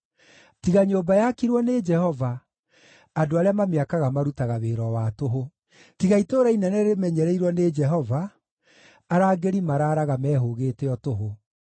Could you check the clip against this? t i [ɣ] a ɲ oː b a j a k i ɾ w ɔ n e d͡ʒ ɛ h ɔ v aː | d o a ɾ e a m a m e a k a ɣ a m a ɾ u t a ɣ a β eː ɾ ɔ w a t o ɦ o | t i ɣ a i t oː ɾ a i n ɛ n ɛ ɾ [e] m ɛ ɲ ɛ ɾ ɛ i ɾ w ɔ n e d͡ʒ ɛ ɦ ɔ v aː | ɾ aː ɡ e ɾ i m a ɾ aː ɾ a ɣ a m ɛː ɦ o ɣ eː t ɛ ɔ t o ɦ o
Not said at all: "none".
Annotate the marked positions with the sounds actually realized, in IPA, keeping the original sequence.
ɣ, e

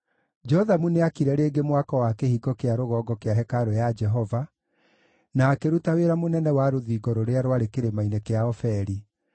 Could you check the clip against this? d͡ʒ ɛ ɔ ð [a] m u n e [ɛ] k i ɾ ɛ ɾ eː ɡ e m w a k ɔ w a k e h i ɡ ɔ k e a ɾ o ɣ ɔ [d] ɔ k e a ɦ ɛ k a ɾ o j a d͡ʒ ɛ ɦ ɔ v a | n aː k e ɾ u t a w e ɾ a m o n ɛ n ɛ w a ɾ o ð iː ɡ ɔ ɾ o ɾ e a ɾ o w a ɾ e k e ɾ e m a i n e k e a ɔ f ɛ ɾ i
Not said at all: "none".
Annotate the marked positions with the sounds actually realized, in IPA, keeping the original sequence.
a, a, ɡ

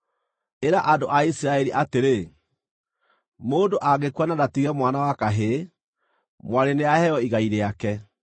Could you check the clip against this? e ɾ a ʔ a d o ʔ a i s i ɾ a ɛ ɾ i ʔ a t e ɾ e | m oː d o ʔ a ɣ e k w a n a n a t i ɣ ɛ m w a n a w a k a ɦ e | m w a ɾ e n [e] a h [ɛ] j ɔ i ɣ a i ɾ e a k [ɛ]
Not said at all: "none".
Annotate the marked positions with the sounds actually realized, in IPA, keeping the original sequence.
e, ɛ, ɛ

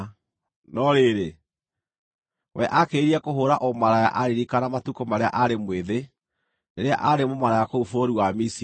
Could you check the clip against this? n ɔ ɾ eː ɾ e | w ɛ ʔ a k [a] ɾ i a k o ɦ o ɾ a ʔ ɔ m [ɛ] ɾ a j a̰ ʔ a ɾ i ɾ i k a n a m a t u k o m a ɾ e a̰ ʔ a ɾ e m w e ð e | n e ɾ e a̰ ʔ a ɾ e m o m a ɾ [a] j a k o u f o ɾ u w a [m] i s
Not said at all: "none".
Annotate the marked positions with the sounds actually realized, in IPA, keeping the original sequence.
e, a, a, m

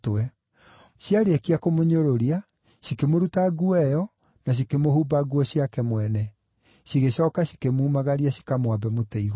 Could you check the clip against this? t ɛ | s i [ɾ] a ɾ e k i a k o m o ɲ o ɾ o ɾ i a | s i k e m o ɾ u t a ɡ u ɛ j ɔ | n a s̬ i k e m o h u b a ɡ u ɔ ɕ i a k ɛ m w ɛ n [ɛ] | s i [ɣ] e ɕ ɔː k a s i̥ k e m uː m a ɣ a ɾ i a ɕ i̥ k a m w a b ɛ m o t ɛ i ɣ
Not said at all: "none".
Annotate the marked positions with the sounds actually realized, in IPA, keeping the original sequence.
none, ɛ, ɣ

